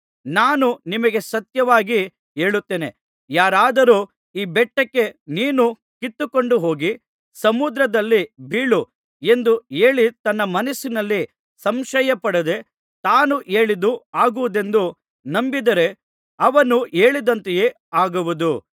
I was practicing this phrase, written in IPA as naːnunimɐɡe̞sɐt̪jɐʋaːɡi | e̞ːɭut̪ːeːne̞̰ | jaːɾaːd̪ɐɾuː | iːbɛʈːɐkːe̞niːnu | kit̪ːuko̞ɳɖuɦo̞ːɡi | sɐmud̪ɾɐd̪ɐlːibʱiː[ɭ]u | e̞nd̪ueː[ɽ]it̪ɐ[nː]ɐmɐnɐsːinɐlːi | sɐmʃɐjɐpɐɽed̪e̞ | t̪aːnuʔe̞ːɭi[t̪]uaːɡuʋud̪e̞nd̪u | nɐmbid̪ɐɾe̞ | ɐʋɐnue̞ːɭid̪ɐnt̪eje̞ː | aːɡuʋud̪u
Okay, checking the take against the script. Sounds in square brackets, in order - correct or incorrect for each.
correct, incorrect: ɭ, correct, incorrect: d̪

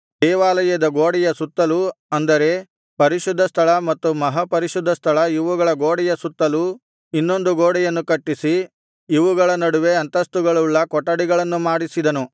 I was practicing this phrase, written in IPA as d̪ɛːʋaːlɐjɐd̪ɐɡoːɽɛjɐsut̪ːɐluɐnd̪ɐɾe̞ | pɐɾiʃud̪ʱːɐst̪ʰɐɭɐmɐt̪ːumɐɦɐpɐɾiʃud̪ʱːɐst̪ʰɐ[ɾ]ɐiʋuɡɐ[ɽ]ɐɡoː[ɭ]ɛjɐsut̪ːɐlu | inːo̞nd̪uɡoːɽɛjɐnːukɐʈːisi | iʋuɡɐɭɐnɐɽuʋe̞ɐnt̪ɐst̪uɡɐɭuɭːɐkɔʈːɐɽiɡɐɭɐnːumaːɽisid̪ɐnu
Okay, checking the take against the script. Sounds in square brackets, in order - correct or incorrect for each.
incorrect: ɭ, incorrect: ɭ, incorrect: ɽ

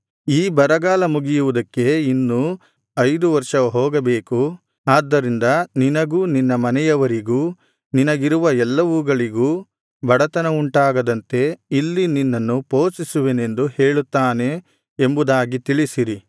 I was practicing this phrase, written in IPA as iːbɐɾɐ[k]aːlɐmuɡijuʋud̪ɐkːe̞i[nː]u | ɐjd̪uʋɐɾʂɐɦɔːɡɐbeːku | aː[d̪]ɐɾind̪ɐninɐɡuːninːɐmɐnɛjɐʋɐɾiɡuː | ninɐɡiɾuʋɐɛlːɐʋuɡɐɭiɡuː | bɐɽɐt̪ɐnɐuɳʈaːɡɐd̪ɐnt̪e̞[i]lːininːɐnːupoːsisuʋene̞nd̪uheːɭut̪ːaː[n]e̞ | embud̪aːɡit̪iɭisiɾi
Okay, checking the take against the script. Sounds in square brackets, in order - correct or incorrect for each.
incorrect: ɡ, correct, incorrect: d̪ː, correct, correct

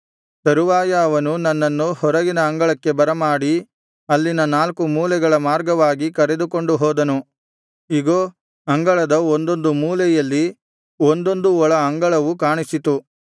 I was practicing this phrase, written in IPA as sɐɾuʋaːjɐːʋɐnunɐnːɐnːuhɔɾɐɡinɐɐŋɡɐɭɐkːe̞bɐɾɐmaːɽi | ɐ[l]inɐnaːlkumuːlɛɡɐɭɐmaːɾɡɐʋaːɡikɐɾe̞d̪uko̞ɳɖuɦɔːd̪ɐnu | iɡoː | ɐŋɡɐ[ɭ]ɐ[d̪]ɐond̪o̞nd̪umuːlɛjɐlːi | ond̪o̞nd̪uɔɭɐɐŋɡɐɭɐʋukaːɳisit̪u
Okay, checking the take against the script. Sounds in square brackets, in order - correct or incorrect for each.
incorrect: lː, correct, correct

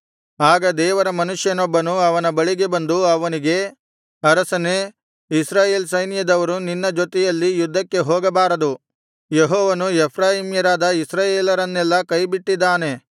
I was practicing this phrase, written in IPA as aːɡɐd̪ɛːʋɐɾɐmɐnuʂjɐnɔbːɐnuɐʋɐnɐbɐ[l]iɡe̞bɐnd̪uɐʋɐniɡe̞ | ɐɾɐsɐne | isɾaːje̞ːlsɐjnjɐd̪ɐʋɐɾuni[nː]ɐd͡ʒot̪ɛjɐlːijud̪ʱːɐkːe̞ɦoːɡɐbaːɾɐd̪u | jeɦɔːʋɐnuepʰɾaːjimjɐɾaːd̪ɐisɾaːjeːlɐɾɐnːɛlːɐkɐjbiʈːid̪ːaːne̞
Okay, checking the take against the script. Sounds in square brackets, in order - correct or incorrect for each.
incorrect: ɭ, correct

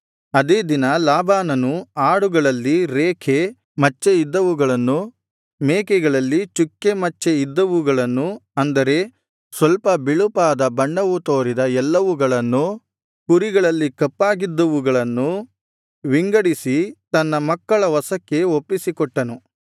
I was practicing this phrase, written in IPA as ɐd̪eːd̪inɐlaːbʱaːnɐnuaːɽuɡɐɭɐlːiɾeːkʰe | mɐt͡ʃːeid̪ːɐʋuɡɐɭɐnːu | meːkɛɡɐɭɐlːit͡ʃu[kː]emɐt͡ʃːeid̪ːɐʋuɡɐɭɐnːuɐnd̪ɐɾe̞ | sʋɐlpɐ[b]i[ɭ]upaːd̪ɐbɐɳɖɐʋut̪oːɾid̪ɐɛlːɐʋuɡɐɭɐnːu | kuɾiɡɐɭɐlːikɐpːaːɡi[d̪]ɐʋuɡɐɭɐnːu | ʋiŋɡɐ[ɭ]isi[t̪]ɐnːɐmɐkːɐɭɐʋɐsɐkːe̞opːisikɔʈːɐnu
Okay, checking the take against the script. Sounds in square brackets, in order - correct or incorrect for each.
correct, correct, correct, incorrect: d̪ː, incorrect: ɽ, correct

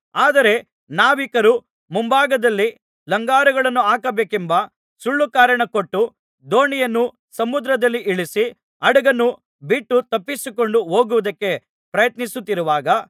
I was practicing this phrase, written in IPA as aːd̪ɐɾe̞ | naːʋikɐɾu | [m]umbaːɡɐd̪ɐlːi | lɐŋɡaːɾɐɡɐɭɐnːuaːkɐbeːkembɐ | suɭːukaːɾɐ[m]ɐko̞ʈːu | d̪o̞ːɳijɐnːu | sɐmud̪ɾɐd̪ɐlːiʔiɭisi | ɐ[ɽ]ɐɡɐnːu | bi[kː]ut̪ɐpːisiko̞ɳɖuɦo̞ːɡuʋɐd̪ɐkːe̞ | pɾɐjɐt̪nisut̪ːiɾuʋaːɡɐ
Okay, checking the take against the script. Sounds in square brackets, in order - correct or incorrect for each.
correct, incorrect: ɳ, correct, incorrect: ʈː

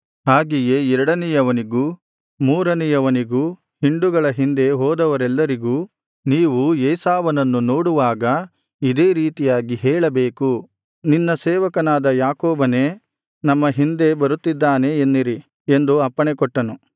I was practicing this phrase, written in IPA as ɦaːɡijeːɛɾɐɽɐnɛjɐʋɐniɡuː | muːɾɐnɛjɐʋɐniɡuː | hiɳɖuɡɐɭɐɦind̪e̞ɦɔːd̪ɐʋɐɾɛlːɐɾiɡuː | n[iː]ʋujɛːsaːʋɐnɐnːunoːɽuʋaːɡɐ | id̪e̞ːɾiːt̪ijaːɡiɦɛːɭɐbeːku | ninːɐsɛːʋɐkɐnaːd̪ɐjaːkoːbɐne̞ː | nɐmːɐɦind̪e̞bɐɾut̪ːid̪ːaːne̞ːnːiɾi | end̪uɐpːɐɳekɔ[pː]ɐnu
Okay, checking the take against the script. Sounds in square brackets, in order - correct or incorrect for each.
correct, incorrect: ʈː

